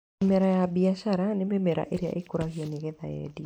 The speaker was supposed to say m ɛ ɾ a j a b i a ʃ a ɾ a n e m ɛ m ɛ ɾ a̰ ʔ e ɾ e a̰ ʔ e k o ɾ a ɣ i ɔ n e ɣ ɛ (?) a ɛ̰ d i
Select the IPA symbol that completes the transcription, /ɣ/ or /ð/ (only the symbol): ð